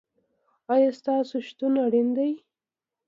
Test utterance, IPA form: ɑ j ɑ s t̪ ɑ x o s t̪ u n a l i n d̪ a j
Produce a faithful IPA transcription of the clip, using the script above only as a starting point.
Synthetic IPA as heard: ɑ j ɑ s t̪ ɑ s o ʃ t̪ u n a ɽ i n d̪ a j